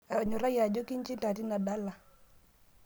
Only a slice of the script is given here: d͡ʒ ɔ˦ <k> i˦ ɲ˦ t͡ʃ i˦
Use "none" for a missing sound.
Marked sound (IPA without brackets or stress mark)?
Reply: k